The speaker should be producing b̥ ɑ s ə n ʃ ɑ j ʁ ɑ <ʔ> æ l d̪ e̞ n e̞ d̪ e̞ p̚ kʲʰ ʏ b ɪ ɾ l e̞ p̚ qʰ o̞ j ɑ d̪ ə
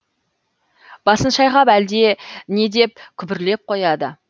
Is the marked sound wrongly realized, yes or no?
yes